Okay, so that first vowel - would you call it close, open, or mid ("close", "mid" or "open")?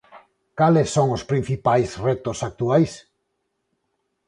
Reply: open